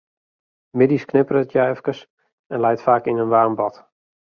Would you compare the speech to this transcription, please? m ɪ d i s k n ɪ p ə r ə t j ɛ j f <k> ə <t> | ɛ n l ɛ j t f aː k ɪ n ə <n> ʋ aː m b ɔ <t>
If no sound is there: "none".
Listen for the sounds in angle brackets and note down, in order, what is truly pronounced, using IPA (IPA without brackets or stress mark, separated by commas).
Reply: k, s, n, t